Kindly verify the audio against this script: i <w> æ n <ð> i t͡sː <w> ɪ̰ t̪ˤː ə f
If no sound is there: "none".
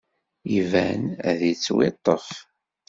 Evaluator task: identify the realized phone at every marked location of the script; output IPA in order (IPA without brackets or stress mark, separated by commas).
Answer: v, ð, w